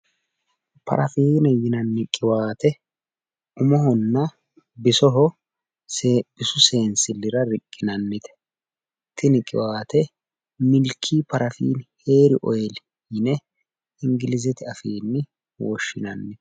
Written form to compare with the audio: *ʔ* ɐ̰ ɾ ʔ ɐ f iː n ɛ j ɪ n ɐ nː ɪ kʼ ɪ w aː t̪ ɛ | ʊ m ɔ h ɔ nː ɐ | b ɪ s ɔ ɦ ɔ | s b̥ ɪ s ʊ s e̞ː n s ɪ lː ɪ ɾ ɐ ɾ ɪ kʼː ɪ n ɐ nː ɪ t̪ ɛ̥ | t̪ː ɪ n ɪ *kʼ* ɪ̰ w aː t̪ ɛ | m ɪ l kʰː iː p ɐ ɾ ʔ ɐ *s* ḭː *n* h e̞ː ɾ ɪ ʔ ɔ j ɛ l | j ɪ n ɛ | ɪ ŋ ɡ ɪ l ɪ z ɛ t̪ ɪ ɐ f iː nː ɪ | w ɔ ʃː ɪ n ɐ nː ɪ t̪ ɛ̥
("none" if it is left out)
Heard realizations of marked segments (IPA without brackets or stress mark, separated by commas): p, kʼ, f, n